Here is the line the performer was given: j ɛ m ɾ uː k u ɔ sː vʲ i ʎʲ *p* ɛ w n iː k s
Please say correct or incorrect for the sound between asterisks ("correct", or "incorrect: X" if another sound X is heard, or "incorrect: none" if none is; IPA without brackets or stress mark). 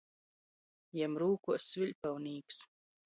correct